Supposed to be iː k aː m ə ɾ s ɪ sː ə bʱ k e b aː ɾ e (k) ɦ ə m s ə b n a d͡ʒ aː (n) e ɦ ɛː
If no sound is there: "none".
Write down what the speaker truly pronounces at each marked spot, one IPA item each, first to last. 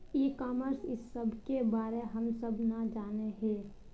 none, n

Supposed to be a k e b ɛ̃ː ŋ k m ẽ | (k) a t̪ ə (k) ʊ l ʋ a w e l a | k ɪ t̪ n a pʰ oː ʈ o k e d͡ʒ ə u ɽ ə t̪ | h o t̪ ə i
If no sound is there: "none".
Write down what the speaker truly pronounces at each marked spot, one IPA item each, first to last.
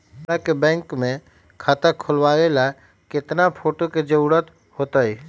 kʰ, kʰ

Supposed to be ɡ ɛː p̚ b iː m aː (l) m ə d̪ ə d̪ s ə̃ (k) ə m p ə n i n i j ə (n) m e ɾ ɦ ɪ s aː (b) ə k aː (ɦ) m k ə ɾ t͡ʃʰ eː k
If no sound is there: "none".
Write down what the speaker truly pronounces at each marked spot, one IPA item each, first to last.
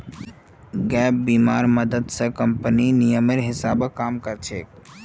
ɾ, k, none, b, none

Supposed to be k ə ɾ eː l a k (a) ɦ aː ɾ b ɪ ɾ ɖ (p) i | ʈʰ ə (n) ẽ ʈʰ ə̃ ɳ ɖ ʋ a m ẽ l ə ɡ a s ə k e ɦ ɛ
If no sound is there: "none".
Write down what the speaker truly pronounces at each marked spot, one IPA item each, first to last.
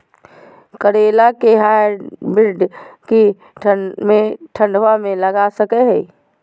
e, k, m

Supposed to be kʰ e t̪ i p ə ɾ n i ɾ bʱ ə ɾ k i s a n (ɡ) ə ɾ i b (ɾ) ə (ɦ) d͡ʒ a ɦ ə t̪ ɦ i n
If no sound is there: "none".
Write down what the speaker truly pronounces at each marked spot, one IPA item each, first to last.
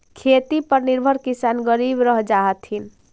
ɡ, ɾ, ɦ

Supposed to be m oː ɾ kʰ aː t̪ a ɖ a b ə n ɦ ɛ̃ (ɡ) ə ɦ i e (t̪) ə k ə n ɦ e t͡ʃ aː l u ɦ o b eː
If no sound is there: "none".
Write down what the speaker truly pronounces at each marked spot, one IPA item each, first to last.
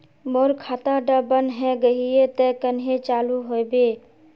ɡ, t̪

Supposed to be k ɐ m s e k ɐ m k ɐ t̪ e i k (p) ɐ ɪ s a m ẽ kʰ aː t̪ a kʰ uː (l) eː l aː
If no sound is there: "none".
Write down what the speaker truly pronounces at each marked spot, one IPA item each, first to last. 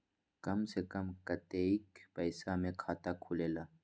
p, l

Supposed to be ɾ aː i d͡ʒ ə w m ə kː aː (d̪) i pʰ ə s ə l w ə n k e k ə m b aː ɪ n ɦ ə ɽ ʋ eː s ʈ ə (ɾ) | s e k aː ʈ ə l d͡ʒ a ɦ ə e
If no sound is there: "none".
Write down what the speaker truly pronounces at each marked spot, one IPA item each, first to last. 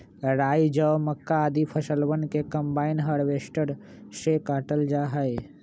d̪, ɾ

